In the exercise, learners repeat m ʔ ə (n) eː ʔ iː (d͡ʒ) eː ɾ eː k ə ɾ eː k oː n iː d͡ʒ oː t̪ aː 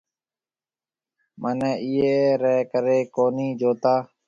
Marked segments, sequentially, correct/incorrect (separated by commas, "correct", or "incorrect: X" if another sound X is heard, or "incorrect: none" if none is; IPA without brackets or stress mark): correct, incorrect: none